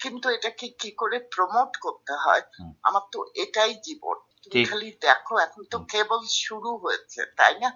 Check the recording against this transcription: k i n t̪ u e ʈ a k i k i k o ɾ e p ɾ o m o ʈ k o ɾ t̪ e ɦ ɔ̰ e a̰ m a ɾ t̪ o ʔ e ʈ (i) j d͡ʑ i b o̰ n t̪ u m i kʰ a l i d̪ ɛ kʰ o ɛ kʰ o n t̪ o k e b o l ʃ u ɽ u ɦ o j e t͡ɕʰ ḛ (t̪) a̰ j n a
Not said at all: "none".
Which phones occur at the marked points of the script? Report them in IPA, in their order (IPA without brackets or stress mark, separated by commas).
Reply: a, t̪